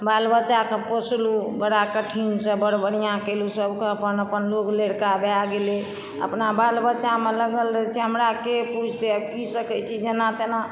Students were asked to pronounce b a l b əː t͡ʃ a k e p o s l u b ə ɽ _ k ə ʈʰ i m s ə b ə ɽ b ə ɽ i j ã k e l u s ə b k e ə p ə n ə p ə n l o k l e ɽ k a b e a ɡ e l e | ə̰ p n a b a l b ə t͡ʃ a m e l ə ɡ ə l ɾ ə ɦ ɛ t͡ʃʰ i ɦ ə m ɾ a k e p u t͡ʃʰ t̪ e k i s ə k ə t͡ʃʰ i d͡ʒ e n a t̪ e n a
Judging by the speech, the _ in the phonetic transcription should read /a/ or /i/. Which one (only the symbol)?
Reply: a